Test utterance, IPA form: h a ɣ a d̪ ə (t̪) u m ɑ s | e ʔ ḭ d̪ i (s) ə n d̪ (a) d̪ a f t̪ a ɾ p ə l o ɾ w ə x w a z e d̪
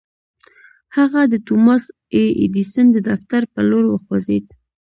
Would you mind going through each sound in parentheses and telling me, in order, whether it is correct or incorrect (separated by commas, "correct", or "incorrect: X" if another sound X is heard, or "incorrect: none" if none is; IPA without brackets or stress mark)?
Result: correct, correct, incorrect: ə